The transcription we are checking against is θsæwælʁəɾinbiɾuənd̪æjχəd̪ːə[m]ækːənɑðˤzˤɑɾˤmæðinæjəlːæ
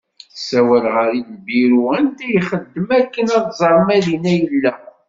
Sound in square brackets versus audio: correct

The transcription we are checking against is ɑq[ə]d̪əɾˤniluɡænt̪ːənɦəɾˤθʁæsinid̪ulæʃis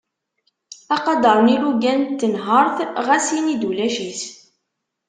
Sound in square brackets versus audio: incorrect: ɑ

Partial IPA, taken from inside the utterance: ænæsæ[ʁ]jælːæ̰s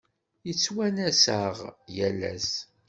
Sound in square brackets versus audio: correct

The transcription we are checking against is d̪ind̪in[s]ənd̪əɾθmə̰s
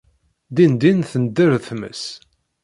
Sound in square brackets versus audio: incorrect: θ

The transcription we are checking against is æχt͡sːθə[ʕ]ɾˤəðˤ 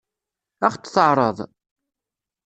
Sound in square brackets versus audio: correct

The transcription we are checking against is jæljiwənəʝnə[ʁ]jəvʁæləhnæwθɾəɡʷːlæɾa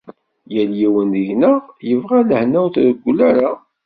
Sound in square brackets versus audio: correct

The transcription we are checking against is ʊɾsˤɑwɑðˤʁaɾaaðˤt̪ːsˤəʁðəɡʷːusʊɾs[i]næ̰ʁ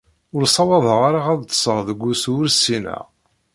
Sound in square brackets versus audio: correct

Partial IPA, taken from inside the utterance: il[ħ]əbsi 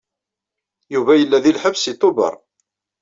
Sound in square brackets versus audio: correct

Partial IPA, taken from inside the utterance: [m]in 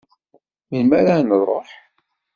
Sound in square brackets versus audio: correct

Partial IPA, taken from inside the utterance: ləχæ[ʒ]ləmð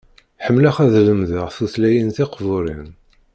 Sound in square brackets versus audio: incorrect: ð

